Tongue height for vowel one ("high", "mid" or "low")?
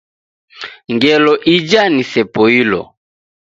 mid